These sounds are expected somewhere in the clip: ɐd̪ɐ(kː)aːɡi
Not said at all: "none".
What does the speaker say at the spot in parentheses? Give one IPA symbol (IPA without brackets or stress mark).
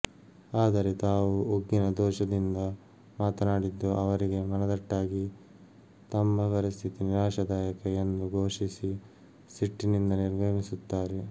ʈː